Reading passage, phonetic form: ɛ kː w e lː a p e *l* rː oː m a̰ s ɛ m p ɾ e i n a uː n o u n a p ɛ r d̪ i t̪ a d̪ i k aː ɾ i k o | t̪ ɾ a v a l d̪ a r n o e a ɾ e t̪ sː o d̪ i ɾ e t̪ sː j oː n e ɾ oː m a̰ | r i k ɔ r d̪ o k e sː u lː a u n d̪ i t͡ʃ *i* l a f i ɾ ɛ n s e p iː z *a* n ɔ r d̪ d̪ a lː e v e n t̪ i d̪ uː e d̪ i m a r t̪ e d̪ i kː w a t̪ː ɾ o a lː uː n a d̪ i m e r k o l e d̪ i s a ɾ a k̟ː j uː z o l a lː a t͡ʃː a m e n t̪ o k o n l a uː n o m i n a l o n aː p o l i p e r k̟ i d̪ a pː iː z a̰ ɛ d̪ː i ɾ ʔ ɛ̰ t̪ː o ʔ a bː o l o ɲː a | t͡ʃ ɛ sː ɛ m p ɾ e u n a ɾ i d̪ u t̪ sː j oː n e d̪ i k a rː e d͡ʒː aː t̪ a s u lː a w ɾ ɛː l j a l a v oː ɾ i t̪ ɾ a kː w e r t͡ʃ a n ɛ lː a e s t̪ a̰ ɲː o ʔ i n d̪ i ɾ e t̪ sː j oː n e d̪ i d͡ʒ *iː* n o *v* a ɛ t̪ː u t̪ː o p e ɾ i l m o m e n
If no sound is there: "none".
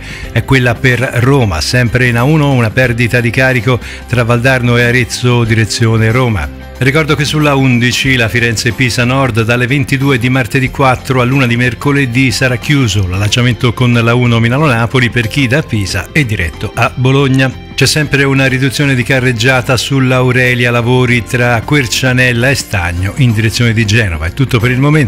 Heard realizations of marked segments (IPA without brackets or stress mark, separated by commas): r, i, a, ɛː, v